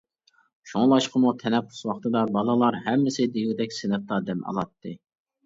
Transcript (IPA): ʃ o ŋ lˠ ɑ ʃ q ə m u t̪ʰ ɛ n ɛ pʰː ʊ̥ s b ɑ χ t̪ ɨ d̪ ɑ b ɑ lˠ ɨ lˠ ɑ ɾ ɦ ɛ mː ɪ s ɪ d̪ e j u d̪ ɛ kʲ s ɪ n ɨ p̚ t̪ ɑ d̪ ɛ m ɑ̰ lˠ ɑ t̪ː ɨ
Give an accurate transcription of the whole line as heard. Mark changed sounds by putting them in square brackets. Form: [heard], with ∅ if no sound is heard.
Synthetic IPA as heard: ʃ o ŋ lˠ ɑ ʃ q ə m u t̪ʰ ɛ n ɛ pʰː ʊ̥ s [w] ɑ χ t̪ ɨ d̪ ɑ b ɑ lˠ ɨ lˠ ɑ ɾ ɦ ɛ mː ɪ s ɪ d̪ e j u d̪ ɛ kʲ s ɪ n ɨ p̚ t̪ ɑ d̪ ɛ m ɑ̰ lˠ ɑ t̪ː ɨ